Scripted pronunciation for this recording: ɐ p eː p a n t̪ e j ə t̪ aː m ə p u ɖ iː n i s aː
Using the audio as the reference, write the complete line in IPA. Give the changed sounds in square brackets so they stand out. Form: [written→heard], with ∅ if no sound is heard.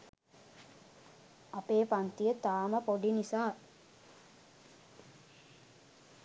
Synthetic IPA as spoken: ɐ p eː p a n t̪ [e→i] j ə t̪ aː m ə p [u→o] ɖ [iː→i] n i s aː